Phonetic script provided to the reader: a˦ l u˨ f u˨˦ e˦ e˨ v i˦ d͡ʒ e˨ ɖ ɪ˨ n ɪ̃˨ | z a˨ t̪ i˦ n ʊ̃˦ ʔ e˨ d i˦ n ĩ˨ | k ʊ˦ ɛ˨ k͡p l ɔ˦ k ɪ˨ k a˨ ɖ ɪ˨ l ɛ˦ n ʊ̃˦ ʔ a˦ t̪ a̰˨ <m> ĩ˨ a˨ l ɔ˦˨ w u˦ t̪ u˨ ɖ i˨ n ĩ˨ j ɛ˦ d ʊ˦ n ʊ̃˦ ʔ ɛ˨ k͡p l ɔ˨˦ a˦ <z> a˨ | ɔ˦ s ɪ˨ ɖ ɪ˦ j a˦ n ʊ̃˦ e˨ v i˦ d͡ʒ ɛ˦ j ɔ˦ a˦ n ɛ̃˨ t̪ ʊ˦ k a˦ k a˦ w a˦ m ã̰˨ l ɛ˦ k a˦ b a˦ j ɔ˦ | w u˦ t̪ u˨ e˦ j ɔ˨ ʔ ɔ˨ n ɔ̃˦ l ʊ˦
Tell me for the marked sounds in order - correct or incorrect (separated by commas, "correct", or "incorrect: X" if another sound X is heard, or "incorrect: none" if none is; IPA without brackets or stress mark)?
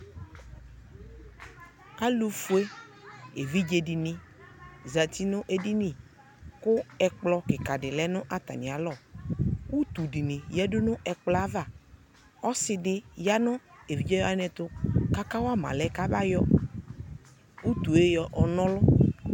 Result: incorrect: n, incorrect: v